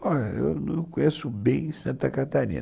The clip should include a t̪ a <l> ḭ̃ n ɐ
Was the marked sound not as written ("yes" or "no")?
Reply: yes